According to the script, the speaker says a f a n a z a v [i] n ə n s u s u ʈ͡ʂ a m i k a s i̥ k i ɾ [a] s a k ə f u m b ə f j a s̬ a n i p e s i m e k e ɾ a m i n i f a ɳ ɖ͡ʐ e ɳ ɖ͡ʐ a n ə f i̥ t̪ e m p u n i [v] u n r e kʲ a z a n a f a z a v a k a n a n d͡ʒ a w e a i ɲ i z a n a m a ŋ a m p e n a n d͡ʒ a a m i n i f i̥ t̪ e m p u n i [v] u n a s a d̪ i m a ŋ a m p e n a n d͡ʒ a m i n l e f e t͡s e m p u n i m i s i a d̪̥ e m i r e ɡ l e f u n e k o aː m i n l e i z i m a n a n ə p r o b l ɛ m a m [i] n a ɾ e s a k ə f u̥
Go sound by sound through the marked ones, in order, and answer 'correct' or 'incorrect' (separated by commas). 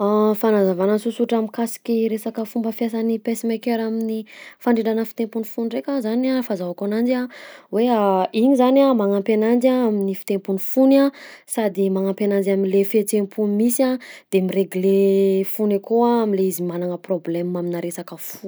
incorrect, incorrect, incorrect, incorrect, correct